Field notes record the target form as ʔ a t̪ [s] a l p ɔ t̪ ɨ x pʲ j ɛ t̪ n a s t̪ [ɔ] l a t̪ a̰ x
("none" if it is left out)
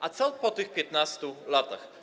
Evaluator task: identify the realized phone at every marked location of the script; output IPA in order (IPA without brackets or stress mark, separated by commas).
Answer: s, u